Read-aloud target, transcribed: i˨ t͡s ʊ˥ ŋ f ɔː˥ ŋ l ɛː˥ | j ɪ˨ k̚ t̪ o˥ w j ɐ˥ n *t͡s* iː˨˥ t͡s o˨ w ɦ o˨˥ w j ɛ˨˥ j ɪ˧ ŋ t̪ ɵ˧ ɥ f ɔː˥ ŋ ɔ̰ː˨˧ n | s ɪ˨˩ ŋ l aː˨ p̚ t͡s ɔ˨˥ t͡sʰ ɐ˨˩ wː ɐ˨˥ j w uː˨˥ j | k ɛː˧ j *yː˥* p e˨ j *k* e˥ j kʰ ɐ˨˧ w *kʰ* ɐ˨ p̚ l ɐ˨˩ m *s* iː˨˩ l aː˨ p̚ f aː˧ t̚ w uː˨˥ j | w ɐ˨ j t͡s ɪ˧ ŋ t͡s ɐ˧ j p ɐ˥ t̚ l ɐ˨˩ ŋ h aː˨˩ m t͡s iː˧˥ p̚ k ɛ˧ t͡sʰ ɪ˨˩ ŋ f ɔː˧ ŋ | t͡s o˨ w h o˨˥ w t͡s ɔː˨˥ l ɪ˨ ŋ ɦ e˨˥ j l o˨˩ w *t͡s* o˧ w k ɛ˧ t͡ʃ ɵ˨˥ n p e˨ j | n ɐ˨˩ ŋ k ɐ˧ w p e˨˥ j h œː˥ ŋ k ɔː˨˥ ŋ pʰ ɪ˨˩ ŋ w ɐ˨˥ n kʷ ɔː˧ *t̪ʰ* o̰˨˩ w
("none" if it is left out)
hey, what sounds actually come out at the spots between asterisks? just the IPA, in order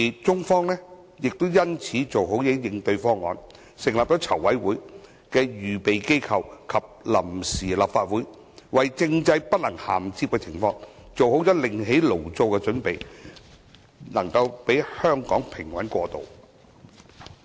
t͡sʰ, yː˨, k, kʰ, s, t͡s, t̪

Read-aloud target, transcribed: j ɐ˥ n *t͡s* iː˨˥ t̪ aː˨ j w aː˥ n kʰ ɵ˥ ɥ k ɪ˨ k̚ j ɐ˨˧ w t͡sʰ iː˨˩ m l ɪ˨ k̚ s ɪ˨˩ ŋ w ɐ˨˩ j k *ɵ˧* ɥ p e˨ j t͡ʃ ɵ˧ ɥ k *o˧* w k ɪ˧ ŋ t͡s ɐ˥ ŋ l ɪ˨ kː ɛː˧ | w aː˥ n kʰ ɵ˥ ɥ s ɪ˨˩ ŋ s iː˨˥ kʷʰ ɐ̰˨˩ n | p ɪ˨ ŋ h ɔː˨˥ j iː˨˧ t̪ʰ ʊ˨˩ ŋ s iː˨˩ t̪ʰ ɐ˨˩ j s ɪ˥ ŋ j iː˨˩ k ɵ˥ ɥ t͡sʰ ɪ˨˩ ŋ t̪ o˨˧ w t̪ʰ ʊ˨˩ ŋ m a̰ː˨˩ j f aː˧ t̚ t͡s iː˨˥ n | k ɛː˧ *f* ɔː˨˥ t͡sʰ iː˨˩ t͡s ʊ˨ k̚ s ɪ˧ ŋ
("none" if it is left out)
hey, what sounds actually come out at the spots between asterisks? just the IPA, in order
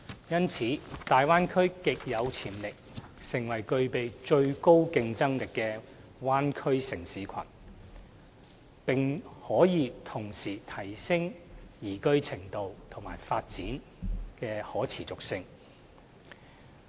t͡sʰ, ɵ˧, o˥, h

